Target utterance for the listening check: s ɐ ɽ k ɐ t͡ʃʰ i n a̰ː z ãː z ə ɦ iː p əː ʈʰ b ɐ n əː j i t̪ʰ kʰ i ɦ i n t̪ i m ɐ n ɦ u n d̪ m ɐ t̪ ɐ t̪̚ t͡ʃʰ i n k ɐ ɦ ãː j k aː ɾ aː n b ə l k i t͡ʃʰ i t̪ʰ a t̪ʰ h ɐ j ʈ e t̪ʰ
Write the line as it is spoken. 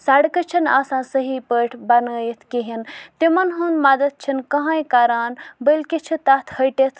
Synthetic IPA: s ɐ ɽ k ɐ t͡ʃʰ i n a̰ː s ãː s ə ɦ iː p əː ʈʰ b ɐ n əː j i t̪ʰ k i ɦ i n t̪ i m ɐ n ɦ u n d̪ m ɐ d̪ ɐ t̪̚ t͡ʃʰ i n k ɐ ɦ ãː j k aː ɾ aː n b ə l k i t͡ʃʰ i t̪ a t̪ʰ h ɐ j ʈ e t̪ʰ